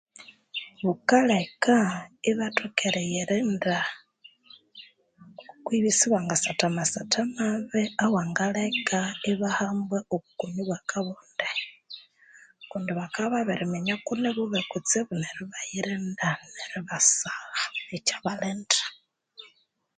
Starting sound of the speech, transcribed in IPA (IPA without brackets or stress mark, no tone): β